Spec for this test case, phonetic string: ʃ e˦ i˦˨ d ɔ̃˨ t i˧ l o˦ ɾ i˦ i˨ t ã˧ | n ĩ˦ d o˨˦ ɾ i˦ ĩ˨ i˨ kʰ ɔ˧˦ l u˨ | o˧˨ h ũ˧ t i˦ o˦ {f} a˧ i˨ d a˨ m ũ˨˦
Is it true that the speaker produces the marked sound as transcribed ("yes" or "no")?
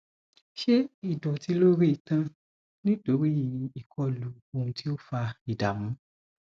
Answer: yes